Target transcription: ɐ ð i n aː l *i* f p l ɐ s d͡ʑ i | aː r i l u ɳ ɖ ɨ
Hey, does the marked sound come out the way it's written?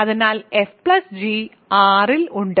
no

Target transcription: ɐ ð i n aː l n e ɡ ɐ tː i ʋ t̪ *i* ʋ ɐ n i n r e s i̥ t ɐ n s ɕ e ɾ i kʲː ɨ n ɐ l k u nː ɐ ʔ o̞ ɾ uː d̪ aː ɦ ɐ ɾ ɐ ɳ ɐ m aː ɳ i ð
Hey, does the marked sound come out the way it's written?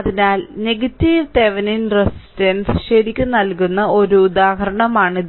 no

